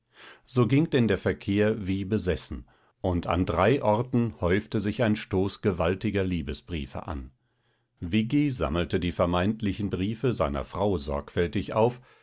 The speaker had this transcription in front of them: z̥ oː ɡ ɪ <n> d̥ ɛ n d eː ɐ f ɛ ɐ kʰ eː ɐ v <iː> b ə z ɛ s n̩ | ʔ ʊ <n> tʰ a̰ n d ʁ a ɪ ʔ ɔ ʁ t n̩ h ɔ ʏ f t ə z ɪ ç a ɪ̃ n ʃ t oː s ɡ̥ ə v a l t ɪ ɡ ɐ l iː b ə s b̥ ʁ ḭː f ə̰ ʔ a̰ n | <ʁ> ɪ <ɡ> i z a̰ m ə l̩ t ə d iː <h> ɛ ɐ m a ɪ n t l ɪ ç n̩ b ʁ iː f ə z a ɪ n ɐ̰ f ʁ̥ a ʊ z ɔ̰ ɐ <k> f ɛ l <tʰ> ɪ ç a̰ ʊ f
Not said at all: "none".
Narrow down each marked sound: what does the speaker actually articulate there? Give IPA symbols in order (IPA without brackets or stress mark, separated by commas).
ŋ, iː, n, v, ɡ, f, k, t